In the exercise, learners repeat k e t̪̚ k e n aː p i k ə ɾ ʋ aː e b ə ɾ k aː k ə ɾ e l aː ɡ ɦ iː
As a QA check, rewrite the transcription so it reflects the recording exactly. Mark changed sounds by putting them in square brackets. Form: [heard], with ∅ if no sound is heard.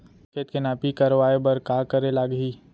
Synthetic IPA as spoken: k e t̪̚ k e n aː p i k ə ɾ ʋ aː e b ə ɾ k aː k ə ɾ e l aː ɡ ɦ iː